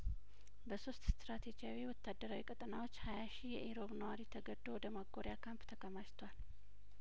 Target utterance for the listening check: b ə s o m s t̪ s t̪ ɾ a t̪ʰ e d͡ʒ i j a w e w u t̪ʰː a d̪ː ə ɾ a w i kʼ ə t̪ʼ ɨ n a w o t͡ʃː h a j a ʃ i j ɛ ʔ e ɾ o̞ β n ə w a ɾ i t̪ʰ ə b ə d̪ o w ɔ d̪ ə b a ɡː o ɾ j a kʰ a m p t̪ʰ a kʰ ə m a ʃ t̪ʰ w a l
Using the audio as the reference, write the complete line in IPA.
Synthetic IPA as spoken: b ə s o s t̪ s t̪ ɾ a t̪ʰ e d͡ʒ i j a w i w ɔ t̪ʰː a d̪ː ə ɾ a w i kʼ ə t̪ʼ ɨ n a w o t͡ʃː h a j a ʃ i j ɛ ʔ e ɾ o̞ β n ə w a ɾ i t̪ʰ ə ɡ ə d̪ o w ɔ d̪ ə m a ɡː o ɾ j a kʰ a m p t̪ʰ ə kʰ ə m a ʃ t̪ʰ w a l

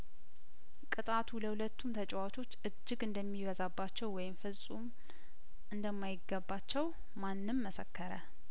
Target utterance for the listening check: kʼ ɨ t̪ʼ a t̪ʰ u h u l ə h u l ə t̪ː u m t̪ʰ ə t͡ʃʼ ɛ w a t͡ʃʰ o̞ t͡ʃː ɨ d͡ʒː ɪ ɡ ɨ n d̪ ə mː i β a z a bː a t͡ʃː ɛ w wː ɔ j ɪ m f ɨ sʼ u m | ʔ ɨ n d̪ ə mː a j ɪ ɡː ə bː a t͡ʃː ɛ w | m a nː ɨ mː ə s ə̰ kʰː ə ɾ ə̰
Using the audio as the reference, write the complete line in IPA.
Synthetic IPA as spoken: kʼ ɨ t̪ʼ a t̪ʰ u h u l ə h u l ə t̪ː u m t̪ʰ ə t͡ʃʼ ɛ w a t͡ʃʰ o̞ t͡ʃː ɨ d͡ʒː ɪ ɡ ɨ n d̪ ə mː i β ə z a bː a t͡ʃː ɛ w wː ɔ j ɪ m f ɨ sʼ u m | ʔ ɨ n d̪ ə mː a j ɪ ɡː ə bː a t͡ʃː ɛ w | m a nː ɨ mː ə s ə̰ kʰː ə ɾ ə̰

